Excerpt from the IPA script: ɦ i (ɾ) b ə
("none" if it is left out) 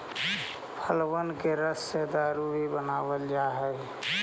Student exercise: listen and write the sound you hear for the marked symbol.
none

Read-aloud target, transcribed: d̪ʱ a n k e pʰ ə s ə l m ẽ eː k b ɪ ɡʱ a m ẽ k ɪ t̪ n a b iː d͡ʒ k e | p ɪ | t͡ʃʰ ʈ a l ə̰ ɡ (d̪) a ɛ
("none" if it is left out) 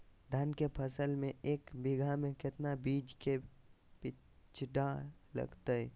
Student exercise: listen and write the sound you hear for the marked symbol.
t̪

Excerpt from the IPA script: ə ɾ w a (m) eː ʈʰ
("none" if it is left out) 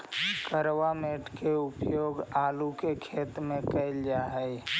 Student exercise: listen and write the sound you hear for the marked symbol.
m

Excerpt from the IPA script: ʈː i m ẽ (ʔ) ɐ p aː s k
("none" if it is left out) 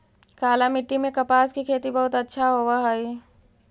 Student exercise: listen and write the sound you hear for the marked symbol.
k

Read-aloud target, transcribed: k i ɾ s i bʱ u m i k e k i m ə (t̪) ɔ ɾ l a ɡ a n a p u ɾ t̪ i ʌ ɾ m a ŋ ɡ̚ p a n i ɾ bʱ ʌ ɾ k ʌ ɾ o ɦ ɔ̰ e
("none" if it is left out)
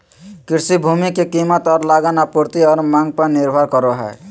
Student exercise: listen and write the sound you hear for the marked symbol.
t̪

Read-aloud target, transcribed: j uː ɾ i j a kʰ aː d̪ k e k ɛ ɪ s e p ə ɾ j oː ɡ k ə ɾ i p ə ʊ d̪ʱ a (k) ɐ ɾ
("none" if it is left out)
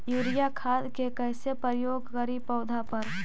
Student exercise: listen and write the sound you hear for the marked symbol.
p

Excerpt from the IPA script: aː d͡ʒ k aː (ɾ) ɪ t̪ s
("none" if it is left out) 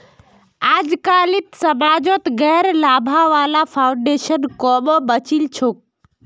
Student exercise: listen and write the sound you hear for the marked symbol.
l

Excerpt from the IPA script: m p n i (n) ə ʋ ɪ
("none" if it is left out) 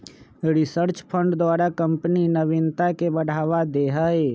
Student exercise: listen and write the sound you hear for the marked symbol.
n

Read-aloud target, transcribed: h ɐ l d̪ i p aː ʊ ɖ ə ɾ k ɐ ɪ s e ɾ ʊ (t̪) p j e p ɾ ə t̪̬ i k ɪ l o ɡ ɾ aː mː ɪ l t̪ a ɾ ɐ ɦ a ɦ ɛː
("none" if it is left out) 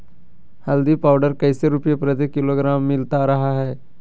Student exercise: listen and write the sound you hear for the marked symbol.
none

